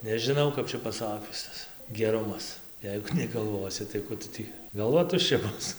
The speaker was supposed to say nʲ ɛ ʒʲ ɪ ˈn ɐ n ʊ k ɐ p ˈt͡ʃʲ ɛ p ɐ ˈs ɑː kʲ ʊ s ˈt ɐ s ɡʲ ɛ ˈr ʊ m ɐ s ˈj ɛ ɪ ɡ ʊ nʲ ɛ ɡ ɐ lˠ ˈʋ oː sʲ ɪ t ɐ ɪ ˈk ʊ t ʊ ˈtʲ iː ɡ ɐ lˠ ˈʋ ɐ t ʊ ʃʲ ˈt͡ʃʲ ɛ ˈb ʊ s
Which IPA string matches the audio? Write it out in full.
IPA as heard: nʲ ɛ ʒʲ ɪ ˈn ɐ ʊ k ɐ p ˈt͡ʃʲ ɛ p ɐ ˈs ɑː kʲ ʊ s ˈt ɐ s ɡʲ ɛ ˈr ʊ m ɐ s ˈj ɛ ɪ ɡ ʊ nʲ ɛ ɡ ɐ lˠ ˈʋ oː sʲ ɪ t ɐ ɪ ˈk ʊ t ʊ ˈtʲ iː ɡ ɐ lˠ ˈʋ ɐ t ʊ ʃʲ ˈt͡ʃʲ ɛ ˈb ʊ s